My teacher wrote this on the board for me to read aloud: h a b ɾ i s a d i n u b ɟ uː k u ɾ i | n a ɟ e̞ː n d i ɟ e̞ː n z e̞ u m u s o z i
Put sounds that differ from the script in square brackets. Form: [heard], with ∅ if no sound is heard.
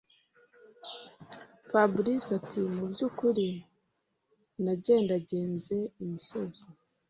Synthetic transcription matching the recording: [f] a b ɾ i s a [t] i [m] u b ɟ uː k u ɾ i | n a ɟ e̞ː n d [a] ɟ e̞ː n z e̞ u m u s o z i

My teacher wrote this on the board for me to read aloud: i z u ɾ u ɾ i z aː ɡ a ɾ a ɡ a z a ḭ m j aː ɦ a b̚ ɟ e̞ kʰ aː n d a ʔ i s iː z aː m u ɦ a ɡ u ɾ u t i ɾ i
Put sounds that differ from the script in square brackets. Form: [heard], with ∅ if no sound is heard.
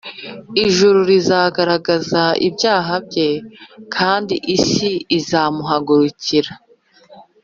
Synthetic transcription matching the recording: i [ʒ] u ɾ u ɾ i z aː ɡ a ɾ a ɡ a z a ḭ [b] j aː ɦ a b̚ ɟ e̞ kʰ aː n d [i] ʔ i s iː z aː m u ɦ a ɡ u ɾ u [c] i ɾ [a]

